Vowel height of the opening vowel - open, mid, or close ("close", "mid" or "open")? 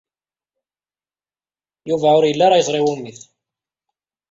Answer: close